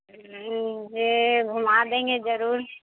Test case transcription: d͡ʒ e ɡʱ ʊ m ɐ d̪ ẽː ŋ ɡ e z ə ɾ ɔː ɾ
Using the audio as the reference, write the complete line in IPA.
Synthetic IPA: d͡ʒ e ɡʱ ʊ m a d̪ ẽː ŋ ɡ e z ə ɾ uː ɾ

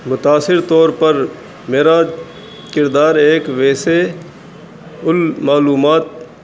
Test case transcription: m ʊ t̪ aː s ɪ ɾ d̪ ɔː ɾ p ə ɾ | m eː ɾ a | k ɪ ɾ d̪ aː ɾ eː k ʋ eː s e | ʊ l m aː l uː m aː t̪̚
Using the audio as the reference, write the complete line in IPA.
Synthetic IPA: m ʊ t̪ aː s ɪ ɾ t̪ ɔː ɾ p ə ɾ | m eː ɾ a | k ɪ ɾ d̪ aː ɾ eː k ʋ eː s e | ʊ l m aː l uː m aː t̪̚

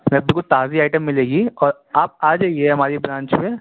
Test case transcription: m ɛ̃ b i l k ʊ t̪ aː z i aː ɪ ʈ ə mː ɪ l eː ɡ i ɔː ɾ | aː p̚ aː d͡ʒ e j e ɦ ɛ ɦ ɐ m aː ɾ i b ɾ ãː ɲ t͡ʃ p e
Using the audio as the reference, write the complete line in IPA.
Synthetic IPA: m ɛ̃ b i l k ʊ t̪ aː z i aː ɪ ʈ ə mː ɪ l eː ɡ i ɔː ɾ | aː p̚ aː d͡ʒ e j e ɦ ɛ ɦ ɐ m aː ɾ i b ɾ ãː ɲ t͡ʃ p e

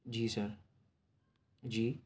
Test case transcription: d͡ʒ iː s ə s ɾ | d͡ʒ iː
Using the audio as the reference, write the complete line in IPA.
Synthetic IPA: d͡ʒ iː s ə ɾ | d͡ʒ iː

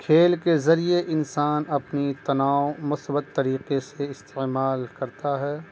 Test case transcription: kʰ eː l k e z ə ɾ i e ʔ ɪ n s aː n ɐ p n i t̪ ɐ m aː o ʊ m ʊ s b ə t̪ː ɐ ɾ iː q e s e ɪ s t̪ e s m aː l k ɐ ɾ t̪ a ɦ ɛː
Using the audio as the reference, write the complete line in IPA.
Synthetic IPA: kʰ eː l k e z ɐ ɾ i e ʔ ɪ n s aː n ɐ p n i t̪ ɐ n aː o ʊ m ʊ s b ə t̪ː ɐ ɾ iː q e s e ɪ s t̪ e m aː l k ɐ ɾ t̪ a ɦ ɛː

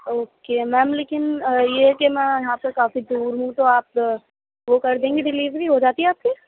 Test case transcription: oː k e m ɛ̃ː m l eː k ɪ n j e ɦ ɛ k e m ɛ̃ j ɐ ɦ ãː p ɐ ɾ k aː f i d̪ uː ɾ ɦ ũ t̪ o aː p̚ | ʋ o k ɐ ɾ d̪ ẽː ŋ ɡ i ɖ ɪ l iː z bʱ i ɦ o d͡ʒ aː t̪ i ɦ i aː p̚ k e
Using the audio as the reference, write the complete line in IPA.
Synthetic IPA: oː k e m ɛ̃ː m l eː k ɪ n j e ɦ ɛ k e m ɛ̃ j ɐ ɦ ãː p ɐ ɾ k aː f i d̪ uː ɾ ɦ ũ t̪ o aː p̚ | ʋ o k ɐ ɾ d̪ ẽː ŋ ɡ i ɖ ɪ l iː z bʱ i ɦ o d͡ʒ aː t̪ i ɦ ɛ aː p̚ k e

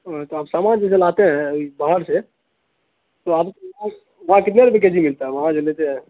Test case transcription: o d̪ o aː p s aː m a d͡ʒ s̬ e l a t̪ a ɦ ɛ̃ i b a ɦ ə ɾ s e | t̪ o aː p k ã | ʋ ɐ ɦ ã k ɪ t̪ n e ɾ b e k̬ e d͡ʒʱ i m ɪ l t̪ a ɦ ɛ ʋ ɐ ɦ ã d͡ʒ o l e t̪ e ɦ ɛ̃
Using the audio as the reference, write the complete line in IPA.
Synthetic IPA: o t̪ o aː p s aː m a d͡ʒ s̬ e l a t̪ e ɦ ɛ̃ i b a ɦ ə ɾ s e | t̪ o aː p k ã | ʋ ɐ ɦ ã k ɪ t̪ n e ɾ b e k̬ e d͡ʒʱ i m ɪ l t̪ a ɦ ɛ ʋ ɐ ɦ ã d͡ʒ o l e t̪ e ɦ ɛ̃

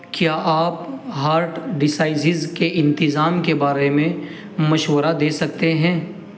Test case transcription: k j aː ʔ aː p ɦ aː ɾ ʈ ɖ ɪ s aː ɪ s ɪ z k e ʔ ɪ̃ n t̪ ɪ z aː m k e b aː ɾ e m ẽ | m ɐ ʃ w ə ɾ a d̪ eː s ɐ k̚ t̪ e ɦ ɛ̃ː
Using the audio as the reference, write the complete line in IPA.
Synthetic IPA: k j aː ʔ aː p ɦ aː ɾ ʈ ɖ ɪ s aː ɪ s ɪ z k e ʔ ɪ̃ n t̪ ɪ z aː m k e b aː ɾ e m ẽ | m ɐ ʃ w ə ɾ a d̪ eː s ɐ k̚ t̪ e ɦ ɛ̃ː

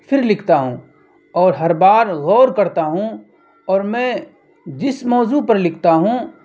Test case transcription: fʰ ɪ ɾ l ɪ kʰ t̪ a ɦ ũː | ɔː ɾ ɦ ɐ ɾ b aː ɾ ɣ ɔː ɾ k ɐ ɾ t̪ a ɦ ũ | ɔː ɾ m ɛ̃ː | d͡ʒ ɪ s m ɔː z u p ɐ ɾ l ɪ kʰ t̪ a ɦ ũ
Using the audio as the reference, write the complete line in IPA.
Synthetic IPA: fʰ ɪ ɾ l ɪ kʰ t̪ a ɦ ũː | ɔː ɾ ɦ ɐ ɾ b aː ɾ ɣ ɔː ɾ k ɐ ɾ t̪ a ɦ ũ | ɔː ɾ m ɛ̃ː | d͡ʒ ɪ s m ɔː z u p ɐ ɾ l ɪ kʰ t̪ a ɦ ũ

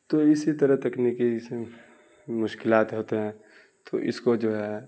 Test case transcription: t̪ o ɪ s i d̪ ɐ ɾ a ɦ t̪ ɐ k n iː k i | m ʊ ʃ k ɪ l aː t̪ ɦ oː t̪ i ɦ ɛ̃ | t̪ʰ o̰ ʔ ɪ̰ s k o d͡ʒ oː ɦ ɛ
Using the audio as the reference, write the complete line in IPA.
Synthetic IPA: t̪ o ɪ s i t̪ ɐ ɾ ə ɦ t̪ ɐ k n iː k i | m ʊ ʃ k ɪ l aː t̪ ɦ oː t̪ e ɦ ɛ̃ | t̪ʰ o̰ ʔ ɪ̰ s k o d͡ʒ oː ɦ ɛ

